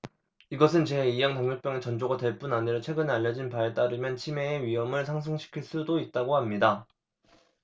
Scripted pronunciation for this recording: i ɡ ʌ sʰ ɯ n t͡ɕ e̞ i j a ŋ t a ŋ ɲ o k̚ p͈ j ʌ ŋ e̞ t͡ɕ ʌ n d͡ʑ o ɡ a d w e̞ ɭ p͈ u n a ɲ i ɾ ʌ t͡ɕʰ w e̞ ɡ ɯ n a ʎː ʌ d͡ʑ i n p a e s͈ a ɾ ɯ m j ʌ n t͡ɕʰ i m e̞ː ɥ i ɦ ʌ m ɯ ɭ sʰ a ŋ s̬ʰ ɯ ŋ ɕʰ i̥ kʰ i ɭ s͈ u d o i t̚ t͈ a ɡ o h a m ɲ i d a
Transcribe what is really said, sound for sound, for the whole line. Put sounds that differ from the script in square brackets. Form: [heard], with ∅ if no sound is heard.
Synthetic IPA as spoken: i ɡ ʌ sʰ ɯ n t͡ɕ e̞ i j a ŋ t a ŋ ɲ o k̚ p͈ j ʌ ŋ e̞ t͡ɕ ʌ n d͡ʑ o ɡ a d w e̞ ɭ p͈ u n a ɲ i ɾ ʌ t͡ɕʰ w e̞ ɡ ɯ n a ʎː ʌ d͡ʑ i n p a e [t͈] a ɾ ɯ m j ʌ n t͡ɕʰ i m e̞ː ɥ i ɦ ʌ m ɯ ɭ sʰ a ŋ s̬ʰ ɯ ŋ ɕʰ i̥ kʰ i ɭ s͈ u d o i t̚ t͈ a ɡ o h a m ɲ i d a